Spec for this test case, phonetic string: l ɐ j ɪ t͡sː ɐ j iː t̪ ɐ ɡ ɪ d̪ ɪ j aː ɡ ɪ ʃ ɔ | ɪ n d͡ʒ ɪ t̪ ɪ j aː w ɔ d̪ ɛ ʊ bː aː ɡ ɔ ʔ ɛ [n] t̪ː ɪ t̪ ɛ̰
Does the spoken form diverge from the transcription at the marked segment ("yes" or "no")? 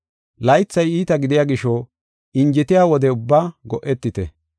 yes